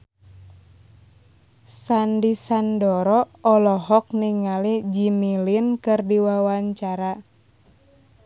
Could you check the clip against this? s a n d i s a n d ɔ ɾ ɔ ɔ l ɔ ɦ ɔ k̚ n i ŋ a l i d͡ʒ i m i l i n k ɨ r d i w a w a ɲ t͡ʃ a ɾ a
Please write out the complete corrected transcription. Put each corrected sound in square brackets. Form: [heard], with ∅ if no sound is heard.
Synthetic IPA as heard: s a n d i s a n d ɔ ɾ ɔ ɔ l ɔ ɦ ɔ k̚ n i ŋ a l i d͡ʒ i m i l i n k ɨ r d i w a w a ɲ t͡ʃ a ɾ a